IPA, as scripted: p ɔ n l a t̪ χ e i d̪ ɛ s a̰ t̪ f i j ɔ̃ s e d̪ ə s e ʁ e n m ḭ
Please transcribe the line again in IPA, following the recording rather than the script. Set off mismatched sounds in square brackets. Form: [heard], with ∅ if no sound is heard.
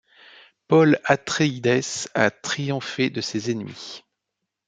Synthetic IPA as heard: p ɔ [∅] l a t̪ χ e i d̪ ɛ s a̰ t̪ [χ] i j ɔ̃ [f] e d̪ ə s e [z] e n m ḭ